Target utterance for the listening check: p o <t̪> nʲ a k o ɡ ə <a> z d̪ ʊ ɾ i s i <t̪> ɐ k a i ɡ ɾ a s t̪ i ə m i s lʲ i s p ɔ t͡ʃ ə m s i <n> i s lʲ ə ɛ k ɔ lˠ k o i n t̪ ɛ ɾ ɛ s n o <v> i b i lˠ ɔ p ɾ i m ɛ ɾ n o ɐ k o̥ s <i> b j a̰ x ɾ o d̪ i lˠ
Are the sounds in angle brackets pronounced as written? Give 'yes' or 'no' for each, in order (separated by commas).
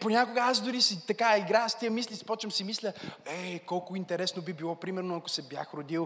no, yes, yes, no, no, no